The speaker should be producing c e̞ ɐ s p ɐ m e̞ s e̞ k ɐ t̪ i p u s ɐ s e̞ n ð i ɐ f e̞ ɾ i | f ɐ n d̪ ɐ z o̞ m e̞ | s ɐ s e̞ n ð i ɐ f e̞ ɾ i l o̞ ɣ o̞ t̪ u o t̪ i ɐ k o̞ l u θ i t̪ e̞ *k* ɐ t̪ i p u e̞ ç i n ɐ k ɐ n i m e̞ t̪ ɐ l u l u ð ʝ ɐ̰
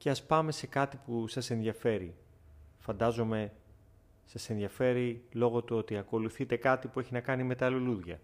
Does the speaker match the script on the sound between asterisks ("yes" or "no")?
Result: yes